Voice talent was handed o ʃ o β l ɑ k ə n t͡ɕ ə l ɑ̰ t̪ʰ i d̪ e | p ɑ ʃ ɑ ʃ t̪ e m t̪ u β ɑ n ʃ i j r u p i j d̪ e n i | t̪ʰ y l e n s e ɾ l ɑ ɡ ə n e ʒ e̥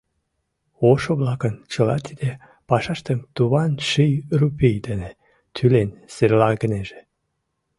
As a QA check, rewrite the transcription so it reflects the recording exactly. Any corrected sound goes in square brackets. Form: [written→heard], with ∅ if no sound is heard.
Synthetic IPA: o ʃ o β l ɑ k ə n t͡ɕ ə l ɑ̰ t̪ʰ i d̪ e | p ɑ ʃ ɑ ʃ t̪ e m t̪ u β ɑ n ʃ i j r u p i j d̪ e n [i→e] | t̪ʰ y l e n s e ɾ l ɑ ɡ ə n e ʒ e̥